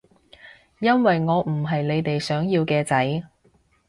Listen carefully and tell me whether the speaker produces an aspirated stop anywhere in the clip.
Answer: no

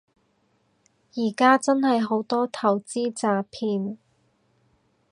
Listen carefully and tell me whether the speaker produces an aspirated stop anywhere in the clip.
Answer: yes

